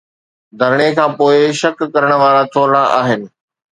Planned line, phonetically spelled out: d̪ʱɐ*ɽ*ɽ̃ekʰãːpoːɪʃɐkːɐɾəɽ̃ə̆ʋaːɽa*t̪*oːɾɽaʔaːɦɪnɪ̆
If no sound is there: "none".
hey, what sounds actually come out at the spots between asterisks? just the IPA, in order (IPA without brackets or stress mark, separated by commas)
ɾ, t̪ʰ